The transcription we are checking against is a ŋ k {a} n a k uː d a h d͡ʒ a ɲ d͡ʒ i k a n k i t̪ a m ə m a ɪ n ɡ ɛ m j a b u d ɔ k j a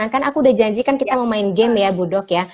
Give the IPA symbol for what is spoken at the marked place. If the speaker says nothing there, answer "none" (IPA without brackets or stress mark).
a